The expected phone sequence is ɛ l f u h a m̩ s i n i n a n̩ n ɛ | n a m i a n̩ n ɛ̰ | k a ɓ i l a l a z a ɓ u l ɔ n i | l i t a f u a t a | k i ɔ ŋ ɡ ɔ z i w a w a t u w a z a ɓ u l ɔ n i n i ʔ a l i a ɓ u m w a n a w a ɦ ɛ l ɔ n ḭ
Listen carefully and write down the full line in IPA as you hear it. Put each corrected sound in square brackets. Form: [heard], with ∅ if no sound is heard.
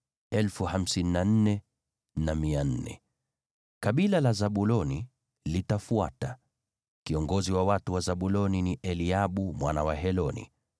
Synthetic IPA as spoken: ɛ l f u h a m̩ s i n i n a n̩ n ɛ | n a m i a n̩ n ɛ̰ | k a ɓ i l a l a z a ɓ u l ɔ n i | l i t a f u a t a | k i ɔ ŋ ɡ ɔ z i w a w a t u w a z a ɓ u l ɔ n i n i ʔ [ɛ] l i a ɓ u m w a n a w a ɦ ɛ l ɔ n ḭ